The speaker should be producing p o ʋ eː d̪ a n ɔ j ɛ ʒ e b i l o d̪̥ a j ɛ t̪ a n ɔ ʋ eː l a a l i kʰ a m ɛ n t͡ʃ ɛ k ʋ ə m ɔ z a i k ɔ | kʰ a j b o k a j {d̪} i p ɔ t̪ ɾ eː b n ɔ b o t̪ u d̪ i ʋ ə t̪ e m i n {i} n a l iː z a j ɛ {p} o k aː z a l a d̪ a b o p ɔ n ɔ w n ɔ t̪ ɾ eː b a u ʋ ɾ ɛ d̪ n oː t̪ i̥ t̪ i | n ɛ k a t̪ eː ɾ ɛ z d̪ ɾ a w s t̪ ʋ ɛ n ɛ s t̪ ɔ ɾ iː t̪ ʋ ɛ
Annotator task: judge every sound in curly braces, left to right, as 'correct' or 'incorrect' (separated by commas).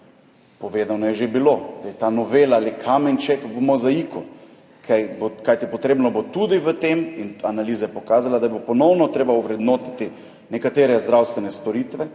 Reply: incorrect, incorrect, correct